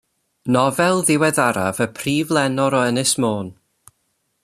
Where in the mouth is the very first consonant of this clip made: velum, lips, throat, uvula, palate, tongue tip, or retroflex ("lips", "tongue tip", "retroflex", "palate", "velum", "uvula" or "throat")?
tongue tip